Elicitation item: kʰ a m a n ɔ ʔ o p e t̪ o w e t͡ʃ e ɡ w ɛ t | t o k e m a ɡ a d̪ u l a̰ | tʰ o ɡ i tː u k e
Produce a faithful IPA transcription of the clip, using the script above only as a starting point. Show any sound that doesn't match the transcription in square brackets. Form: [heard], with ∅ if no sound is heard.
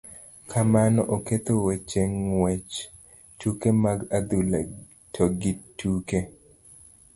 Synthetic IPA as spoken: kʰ a m a n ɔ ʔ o [k] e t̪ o w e t͡ʃ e [ŋ] w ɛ [t͡ʃ] | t [u] k e m a ɡ a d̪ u l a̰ | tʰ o ɡ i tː u k e